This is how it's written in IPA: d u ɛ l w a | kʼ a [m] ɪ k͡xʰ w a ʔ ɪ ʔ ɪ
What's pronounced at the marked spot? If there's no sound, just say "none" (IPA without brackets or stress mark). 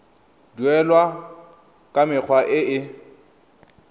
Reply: m